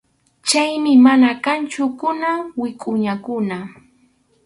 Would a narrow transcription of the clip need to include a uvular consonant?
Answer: no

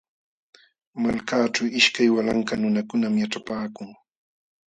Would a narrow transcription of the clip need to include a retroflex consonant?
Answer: yes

